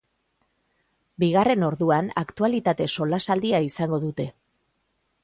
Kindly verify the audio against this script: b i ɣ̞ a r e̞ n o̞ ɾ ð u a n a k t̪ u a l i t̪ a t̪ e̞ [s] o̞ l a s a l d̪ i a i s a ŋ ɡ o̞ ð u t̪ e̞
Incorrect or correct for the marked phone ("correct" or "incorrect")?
correct